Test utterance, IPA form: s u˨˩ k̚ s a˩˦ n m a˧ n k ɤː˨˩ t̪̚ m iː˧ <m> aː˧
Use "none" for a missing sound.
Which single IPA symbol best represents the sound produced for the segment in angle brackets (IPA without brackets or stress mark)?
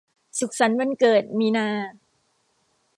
n